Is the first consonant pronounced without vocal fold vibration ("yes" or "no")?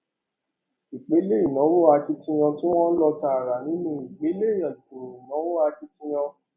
yes